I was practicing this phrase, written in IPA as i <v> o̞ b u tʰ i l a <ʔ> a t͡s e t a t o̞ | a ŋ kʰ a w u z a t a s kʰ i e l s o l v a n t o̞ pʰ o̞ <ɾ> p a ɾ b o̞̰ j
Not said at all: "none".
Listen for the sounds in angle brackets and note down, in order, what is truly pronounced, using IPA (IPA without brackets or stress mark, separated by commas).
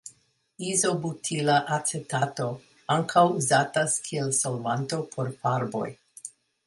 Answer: z, ʔ, ɾ